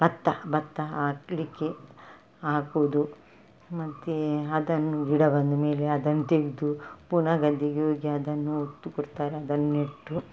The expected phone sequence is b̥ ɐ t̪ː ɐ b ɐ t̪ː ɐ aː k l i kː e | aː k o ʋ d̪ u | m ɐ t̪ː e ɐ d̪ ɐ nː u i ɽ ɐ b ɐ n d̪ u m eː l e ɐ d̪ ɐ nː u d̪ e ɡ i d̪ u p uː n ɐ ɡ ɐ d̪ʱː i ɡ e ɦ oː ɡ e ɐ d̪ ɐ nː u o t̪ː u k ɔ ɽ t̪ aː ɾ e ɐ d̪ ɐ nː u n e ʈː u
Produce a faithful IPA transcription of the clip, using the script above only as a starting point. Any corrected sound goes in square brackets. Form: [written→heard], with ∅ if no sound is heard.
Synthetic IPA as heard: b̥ ɐ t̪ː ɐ b ɐ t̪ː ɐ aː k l i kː e | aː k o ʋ d̪ u | m ɐ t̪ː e ɐ d̪ ɐ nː u i ɽ ɐ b ɐ n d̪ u m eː l e ɐ d̪ ɐ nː u [d̪→t̪] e ɡ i d̪ u p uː n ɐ ɡ ɐ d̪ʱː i ɡ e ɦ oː ɡ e ɐ d̪ ɐ nː u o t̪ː u k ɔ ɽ t̪ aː ɾ e ɐ d̪ ɐ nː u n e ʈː u